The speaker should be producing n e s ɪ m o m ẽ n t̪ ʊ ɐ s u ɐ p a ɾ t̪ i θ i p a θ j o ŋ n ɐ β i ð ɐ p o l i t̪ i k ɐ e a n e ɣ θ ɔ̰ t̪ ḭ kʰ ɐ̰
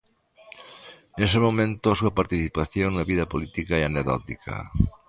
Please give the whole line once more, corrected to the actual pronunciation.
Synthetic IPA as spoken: n e s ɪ m o m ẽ n t̪ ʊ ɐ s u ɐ p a ɾ t̪ i θ i p a θ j o ŋ n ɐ β i ð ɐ p o l i t̪ i k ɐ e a n e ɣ ð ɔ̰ t̪ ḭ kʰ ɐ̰